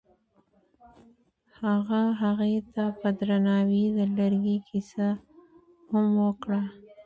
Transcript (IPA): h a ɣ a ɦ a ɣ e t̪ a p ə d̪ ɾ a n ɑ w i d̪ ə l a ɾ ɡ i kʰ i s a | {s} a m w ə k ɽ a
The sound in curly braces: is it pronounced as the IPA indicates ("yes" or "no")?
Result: no